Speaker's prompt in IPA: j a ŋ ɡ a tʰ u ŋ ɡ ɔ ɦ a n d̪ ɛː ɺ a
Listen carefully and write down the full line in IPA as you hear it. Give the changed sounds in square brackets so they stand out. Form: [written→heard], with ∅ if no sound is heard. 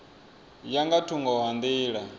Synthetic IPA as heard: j a ŋ ɡ a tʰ u ŋ ɡ ɔ ɦ a n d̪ [ɛː→iː] ɺ a